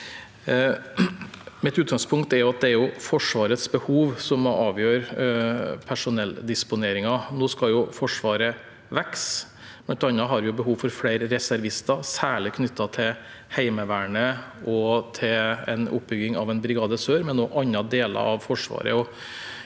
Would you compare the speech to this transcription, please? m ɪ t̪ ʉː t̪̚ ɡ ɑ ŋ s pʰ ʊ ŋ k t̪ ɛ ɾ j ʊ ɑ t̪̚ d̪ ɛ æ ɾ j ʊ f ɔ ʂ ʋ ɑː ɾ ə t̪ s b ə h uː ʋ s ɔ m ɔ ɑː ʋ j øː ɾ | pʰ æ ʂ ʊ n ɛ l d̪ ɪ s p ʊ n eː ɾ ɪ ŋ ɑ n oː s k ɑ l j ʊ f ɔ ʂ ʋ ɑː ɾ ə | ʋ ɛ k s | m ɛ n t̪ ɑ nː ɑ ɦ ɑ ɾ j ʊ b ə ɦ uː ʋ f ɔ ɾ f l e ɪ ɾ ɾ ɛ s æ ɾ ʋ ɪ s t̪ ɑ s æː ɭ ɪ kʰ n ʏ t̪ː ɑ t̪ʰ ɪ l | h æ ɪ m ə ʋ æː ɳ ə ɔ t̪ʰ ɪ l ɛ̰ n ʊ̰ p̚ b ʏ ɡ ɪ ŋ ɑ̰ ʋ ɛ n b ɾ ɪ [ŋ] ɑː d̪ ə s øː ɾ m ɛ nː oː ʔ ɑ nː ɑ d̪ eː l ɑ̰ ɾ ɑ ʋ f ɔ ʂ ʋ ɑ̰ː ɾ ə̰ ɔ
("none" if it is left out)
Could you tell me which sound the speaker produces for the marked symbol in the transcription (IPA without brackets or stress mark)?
ɡ